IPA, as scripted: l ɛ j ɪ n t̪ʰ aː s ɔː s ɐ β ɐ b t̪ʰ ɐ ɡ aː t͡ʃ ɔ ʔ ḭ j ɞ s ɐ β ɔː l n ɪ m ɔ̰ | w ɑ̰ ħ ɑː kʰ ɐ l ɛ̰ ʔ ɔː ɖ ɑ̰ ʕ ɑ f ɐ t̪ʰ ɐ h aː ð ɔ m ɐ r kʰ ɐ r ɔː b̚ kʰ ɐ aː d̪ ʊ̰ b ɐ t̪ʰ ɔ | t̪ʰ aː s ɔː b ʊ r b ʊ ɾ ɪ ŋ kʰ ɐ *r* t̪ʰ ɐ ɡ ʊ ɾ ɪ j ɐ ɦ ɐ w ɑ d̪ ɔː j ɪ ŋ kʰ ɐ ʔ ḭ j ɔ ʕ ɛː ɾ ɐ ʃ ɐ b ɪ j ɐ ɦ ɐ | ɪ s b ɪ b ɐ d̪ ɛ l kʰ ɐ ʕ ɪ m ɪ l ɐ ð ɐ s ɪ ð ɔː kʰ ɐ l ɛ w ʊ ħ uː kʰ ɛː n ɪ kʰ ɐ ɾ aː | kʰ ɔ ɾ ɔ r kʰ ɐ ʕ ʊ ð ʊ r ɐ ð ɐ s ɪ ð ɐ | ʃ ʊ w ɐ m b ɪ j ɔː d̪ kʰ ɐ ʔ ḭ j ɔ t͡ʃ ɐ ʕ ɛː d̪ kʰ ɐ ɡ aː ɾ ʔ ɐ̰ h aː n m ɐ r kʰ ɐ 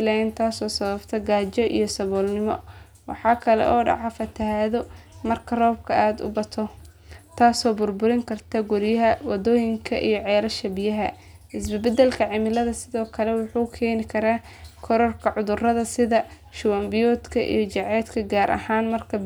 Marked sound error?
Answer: no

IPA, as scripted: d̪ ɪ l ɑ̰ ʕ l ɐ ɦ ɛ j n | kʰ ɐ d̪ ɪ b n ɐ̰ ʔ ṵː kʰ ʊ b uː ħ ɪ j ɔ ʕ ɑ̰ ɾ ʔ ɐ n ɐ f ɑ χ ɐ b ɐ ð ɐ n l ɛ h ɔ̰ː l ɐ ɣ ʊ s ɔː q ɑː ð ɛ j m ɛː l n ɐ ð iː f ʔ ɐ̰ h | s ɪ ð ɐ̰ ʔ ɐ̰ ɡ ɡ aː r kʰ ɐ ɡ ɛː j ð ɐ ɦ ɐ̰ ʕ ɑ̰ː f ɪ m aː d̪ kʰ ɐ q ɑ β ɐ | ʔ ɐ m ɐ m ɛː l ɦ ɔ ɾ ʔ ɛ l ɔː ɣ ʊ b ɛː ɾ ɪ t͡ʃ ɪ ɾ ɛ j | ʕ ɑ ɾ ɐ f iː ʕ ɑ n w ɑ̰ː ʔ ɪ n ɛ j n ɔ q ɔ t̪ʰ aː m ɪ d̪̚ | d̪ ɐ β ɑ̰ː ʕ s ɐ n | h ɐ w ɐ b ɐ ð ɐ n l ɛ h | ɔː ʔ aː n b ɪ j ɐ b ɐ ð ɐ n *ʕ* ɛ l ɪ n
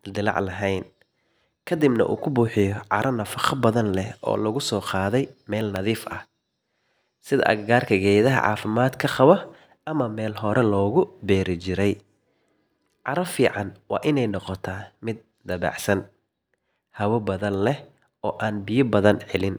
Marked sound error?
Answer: no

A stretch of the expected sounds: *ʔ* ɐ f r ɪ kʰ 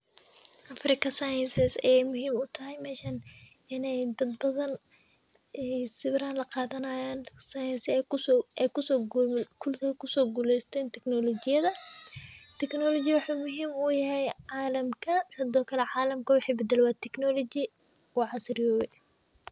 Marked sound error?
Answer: no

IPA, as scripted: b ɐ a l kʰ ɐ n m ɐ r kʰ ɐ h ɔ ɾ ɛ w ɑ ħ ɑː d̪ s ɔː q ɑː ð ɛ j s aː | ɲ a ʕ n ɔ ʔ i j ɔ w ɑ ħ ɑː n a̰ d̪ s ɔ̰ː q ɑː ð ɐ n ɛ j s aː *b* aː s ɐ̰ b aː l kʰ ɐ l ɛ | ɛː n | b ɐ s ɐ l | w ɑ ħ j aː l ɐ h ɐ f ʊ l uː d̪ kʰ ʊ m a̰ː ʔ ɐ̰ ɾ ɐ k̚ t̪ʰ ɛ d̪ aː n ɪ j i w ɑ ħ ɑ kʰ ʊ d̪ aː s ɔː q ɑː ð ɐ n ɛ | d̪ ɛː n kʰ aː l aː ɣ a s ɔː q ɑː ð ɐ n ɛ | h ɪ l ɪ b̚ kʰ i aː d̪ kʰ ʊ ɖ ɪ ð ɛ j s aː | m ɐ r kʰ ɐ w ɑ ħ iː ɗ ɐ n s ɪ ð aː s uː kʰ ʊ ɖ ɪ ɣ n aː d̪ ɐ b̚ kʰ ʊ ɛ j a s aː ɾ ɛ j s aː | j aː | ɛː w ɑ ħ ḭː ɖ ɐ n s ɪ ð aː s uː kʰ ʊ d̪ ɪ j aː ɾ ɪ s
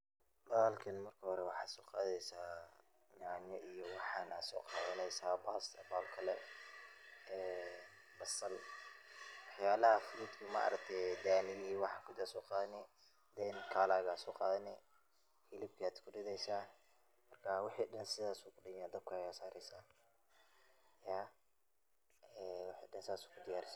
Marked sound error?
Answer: no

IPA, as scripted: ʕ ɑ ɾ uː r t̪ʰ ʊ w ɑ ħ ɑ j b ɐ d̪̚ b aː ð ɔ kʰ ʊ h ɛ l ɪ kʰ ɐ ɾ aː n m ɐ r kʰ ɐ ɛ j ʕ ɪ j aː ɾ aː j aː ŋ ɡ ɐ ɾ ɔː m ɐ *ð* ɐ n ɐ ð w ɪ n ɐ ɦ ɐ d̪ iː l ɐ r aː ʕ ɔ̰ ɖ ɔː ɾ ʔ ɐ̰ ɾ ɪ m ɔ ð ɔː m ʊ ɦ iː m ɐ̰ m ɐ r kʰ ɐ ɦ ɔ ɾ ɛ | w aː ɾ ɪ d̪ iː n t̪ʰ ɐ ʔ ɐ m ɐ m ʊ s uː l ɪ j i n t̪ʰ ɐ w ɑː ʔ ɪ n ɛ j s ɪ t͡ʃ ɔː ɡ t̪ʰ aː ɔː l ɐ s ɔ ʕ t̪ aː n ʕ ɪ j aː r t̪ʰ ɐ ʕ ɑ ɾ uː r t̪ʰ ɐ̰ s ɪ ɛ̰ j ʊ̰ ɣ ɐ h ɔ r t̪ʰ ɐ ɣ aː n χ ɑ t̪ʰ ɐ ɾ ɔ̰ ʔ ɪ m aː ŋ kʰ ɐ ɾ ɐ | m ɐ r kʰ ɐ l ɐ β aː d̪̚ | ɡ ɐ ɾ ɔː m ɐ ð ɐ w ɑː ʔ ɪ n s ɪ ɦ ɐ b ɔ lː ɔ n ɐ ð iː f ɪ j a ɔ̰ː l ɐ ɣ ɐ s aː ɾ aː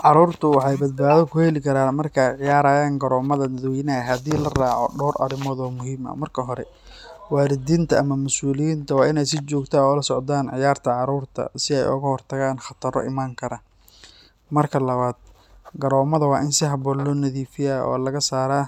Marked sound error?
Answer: no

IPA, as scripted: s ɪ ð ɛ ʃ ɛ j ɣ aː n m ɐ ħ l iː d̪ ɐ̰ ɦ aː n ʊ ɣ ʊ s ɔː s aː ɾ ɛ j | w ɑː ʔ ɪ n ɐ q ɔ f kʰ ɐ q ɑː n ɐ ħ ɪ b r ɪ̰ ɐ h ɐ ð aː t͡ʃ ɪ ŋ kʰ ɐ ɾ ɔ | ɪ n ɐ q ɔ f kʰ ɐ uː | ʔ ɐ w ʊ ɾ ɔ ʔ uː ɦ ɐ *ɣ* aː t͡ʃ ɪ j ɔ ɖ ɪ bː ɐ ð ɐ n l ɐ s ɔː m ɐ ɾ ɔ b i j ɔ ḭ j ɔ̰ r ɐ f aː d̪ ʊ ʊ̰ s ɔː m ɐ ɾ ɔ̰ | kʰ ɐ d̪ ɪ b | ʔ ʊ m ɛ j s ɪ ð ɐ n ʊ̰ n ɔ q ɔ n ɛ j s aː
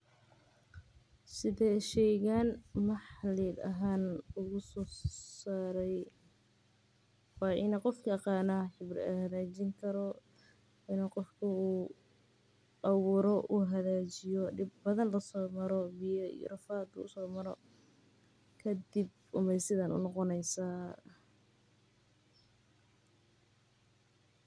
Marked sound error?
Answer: yes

